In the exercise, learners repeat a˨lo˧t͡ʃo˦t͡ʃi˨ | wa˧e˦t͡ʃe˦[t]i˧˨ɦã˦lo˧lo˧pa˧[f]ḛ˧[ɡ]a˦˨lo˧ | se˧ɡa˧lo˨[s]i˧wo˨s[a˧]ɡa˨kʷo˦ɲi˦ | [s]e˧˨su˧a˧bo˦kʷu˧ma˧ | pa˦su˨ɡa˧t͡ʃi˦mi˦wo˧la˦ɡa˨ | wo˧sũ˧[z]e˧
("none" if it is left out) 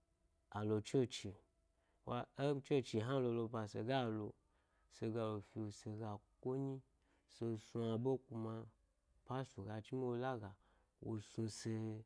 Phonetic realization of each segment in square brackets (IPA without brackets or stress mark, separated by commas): t͡ʃ, s, ɡ, f, e˧, s, s